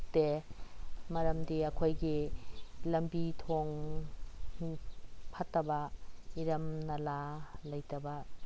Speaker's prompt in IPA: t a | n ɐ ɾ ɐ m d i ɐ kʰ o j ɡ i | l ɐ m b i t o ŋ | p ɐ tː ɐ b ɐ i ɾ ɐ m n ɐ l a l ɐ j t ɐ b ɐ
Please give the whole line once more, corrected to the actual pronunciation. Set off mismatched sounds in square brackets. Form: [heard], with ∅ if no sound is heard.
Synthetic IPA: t [e] | [m] ɐ ɾ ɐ m d i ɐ kʰ o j ɡ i | l ɐ m b i [tʰ] o ŋ | [pʰ] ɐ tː ɐ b ɐ i ɾ ɐ m n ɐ l a l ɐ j t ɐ b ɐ

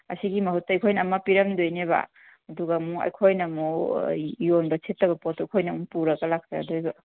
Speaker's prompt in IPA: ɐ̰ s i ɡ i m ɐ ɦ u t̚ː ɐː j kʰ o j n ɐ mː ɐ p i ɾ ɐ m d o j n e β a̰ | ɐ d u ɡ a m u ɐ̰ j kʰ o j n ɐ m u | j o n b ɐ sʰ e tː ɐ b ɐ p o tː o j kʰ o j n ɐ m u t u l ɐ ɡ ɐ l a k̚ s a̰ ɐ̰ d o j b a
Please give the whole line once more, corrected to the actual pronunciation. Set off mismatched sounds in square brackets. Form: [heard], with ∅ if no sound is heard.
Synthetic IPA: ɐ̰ s i ɡ i m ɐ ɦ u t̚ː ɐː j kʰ o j n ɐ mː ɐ p i ɾ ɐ m d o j n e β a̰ | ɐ d u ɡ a m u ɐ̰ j kʰ o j n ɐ m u | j o n b ɐ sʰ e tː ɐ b ɐ p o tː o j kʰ o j n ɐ m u [p] u [ɾ] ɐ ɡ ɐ l a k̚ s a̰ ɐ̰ d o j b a

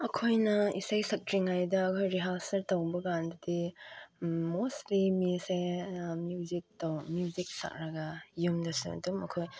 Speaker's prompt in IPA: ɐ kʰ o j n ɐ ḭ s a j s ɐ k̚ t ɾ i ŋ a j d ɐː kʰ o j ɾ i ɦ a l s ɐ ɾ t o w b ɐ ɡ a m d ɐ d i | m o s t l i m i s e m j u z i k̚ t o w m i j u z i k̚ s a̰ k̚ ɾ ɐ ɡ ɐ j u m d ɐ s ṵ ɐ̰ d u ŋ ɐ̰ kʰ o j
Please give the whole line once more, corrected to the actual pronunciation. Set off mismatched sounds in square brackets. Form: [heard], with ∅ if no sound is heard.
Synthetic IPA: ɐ kʰ o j n ɐ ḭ s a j s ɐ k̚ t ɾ i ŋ a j d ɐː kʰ o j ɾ i ɦ a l s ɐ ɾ t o w b ɐ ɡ a [n] d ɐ d i | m o s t l i m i s e m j u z i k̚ t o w m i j u z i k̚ s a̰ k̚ ɾ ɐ ɡ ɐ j u m d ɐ s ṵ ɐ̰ d u [m] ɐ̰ kʰ o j

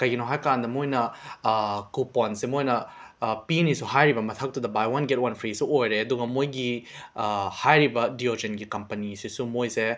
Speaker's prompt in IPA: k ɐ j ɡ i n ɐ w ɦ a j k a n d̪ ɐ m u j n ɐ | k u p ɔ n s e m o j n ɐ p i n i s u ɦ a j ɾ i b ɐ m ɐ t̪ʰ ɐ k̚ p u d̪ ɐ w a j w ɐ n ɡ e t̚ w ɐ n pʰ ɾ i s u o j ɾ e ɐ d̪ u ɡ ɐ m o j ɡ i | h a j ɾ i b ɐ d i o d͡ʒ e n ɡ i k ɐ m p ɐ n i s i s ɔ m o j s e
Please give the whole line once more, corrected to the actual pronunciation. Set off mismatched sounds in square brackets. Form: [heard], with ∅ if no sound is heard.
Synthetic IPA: k ɐ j ɡ i n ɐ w ɦ a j k a n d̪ ɐ m [o] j n ɐ | k u p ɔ n s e m o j n ɐ p i n i s u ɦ a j ɾ i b ɐ m ɐ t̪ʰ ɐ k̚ [t] u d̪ ɐ [b] a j w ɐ n ɡ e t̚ w ɐ n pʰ ɾ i s u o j ɾ e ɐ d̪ u ɡ ɐ m o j ɡ i | h a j ɾ i b ɐ d i o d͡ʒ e n ɡ i k ɐ m p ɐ n i s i s [u] m o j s e

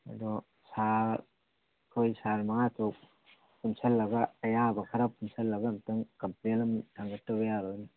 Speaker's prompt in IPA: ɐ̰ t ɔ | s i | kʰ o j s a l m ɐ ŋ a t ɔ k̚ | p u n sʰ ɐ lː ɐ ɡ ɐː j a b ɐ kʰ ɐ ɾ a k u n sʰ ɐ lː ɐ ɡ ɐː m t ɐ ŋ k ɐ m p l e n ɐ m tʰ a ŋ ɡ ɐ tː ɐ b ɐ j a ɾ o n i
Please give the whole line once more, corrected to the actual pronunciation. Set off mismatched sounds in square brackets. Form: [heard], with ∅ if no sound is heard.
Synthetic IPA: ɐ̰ [d] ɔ | s [a] | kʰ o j s a [ɾ] m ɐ ŋ a t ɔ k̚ | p u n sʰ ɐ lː ɐ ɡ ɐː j a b ɐ kʰ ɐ ɾ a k u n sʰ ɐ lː ɐ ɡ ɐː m t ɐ ŋ k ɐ m p l e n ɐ m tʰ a ŋ ɡ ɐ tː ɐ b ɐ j a ɾ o n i

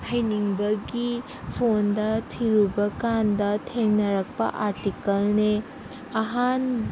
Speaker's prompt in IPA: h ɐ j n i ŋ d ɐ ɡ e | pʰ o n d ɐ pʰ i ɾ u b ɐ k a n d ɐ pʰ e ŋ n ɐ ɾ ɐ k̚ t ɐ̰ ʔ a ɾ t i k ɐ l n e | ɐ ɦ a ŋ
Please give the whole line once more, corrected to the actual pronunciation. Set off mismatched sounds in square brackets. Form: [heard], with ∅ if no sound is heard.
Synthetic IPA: h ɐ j n i ŋ [b] ɐ ɡ [i] | pʰ o n d ɐ [tʰ] i ɾ u b ɐ k a n d ɐ [tʰ] e ŋ n ɐ ɾ ɐ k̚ [p] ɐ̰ ʔ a ɾ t i k ɐ l n e | ɐ ɦ a [n]

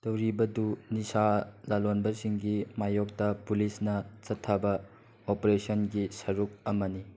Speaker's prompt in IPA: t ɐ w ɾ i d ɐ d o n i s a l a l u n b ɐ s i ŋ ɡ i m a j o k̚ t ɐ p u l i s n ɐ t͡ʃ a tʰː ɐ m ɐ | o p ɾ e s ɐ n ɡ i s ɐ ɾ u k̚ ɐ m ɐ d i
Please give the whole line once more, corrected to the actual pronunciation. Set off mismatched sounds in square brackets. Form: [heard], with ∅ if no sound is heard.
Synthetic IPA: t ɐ w ɾ i [b] ɐ d [u] n i s a l a l [o] n b ɐ s i ŋ ɡ i m a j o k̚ t ɐ p u l i s n ɐ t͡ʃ [ɐ] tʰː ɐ [b] ɐ | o p ɾ e s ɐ n ɡ i s ɐ ɾ u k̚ ɐ m ɐ [n] i

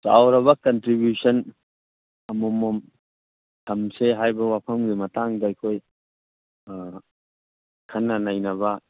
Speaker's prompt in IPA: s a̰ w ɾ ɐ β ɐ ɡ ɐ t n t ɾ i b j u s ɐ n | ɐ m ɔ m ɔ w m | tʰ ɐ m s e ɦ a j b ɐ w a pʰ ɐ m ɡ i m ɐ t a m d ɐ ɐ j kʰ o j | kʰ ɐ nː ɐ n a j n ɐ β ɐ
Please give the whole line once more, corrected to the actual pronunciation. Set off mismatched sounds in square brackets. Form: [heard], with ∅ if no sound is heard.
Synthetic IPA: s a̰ w ɾ ɐ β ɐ [k] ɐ [∅] n t ɾ i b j u s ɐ n | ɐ m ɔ m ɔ [∅] m | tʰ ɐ m s e ɦ a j b ɐ w a pʰ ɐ m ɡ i m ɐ t a [ŋ] d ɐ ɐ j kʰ o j | kʰ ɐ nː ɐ n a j n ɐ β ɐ

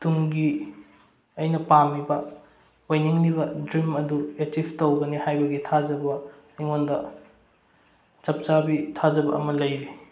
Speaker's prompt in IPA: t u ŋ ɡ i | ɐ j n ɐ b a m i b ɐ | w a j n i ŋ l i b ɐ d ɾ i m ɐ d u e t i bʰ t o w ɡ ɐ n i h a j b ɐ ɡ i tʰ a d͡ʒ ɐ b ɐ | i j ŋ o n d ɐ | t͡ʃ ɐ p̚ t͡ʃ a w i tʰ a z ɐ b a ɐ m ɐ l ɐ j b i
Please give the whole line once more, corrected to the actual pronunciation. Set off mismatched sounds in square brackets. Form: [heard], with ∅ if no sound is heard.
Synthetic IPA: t u ŋ ɡ i | ɐ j n ɐ [p] a m i b ɐ | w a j n i ŋ l i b ɐ d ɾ i m ɐ d u e t i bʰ t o w ɡ ɐ n i h a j b ɐ ɡ i tʰ a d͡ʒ ɐ b ɐ | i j ŋ o n d ɐ | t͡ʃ ɐ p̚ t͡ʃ a [b] i tʰ a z ɐ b [ɐ] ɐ m ɐ l ɐ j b i

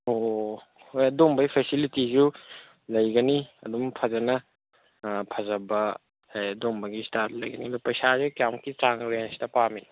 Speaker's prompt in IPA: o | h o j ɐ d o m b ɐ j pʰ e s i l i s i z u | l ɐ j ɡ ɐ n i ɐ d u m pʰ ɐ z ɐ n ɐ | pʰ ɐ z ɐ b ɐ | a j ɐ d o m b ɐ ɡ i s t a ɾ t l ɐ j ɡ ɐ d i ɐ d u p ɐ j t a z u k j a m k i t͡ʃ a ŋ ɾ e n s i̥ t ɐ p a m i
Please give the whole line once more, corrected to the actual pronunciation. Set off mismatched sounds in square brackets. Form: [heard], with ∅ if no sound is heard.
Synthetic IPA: o | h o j ɐ d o m b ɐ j pʰ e s i l i [t] i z u | l ɐ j ɡ ɐ n i ɐ d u m pʰ ɐ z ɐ n ɐ | pʰ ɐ z ɐ b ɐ | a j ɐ d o m b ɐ ɡ i s t a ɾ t l ɐ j ɡ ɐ [n] i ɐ d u p ɐ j [s] a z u k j a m k i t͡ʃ a ŋ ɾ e n s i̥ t ɐ p a m i

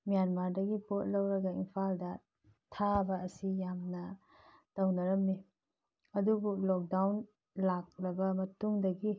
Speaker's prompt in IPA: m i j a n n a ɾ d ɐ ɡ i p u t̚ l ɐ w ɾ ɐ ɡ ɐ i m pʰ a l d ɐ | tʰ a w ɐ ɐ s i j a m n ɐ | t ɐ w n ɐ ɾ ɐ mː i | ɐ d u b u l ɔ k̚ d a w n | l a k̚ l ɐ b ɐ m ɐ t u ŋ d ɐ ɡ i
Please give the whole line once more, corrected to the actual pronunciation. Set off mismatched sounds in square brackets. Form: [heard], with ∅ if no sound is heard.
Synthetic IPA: m i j a n [m] a ɾ d ɐ ɡ i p [o] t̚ l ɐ w ɾ ɐ ɡ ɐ i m pʰ a l d ɐ | tʰ a [b] ɐ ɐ s i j a m n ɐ | t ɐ w n ɐ ɾ ɐ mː i | ɐ d u b u l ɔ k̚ d a w n | l a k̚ l ɐ b ɐ m ɐ t u ŋ d ɐ ɡ i

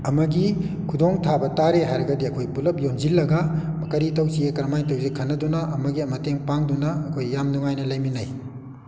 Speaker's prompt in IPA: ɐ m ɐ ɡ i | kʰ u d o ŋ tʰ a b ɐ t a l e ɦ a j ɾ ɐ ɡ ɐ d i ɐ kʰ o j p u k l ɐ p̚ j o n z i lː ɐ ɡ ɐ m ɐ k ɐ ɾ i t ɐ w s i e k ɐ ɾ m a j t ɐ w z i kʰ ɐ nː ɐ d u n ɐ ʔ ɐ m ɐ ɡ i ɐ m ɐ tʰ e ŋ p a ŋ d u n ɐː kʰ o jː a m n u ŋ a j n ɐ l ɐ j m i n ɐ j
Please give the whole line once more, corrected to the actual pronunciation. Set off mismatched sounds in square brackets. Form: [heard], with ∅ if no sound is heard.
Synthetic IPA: ɐ m ɐ ɡ i | kʰ u d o ŋ tʰ a b ɐ t a [ɾ] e ɦ a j ɾ ɐ ɡ ɐ d i ɐ kʰ o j p u [∅] l ɐ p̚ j o n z i lː ɐ ɡ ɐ m ɐ k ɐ ɾ i t ɐ w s i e k ɐ ɾ m a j t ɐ w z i kʰ ɐ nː ɐ d u n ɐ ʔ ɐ m ɐ ɡ i ɐ m ɐ [t] e ŋ p a ŋ d u n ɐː kʰ o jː a m n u ŋ a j n ɐ l ɐ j m i n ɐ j

